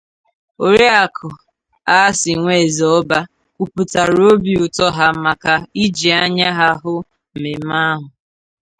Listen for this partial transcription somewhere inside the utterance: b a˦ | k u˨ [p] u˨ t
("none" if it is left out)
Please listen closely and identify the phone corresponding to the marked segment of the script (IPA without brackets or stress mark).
p